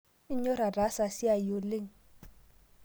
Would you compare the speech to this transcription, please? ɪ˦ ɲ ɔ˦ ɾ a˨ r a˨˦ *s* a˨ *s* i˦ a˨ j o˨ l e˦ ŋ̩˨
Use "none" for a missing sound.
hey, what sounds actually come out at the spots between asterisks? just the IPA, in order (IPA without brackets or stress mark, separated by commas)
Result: s, s